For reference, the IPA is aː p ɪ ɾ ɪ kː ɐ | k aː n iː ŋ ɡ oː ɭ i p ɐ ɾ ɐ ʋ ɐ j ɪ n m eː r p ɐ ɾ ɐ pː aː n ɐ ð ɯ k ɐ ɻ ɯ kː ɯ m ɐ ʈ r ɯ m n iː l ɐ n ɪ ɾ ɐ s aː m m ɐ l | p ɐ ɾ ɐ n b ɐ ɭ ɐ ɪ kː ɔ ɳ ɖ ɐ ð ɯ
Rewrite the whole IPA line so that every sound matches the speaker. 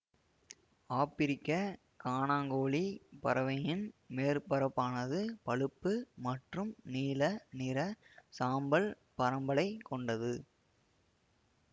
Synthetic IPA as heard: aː p ɪ ɾ ɪ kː ɐ | k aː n aː ŋ ɡ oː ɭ i p ɐ ɾ ɐ ʋ ɐ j ɪ n m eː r p ɐ ɾ ɐ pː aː n ɐ ð ɯ p ɐ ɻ ɯ pː ɯ m ɐ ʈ r ɯ m n iː l ɐ n ɪ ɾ ɐ s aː m b ɐ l | p ɐ ɾ ɐ m b ɐ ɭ ɐ ɪ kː ɔ ɳ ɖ ɐ ð ɯ